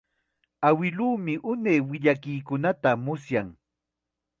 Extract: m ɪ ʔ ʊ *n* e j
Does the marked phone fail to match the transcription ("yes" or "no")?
no